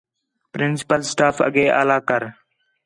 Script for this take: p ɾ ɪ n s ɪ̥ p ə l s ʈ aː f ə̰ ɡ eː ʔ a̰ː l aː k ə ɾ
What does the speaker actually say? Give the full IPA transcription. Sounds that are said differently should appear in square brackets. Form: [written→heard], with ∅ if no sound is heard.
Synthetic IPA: p ɾ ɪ n s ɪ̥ p ə l s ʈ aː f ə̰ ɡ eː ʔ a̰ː l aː k ə ɾ